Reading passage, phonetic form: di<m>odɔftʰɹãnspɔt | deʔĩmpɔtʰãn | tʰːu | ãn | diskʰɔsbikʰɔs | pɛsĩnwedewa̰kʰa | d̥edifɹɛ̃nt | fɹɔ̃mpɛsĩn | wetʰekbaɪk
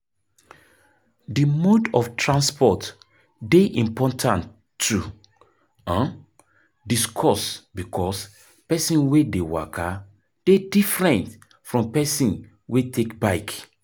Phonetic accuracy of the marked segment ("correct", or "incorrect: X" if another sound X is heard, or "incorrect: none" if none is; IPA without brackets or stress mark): correct